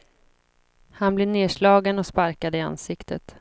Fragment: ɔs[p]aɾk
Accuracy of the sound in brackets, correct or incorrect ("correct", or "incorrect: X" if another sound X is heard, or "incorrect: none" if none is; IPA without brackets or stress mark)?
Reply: correct